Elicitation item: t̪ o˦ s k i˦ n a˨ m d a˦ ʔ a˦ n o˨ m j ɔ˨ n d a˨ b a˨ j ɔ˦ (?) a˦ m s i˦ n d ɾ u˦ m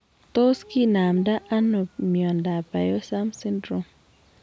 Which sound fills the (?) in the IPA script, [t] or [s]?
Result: s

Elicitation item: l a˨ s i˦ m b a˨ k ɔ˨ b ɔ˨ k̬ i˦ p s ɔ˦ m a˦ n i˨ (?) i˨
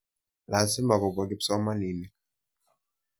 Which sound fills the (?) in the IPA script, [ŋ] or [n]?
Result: n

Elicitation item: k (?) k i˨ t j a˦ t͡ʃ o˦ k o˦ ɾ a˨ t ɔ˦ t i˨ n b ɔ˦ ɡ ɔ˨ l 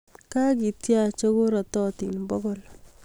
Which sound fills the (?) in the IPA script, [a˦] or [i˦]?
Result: a˦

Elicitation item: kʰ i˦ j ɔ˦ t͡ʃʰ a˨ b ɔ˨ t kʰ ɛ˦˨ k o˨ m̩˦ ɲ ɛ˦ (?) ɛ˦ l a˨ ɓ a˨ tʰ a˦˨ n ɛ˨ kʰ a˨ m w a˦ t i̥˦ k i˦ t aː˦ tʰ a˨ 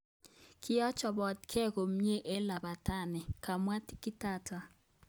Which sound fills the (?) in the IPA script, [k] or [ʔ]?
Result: ʔ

